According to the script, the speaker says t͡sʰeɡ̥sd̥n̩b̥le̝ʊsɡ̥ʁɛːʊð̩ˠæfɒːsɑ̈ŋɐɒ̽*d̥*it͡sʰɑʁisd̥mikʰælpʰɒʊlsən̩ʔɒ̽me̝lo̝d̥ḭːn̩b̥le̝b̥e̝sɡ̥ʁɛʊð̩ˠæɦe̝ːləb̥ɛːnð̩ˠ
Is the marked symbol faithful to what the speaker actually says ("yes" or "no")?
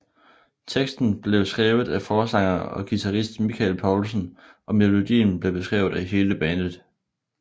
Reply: no